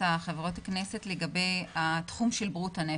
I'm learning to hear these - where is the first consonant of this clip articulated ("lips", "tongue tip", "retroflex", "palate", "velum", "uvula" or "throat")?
uvula